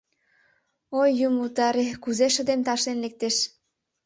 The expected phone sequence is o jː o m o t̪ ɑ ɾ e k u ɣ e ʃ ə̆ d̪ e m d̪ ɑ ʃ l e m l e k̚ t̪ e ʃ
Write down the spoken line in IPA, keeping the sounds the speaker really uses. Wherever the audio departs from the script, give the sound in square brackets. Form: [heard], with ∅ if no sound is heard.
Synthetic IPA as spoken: o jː [u] m [u] t̪ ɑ ɾ e k u [z] e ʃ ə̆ d̪ e m [t̪] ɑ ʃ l e [n] l e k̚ t̪ e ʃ